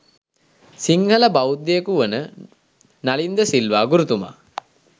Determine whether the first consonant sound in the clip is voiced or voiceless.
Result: voiceless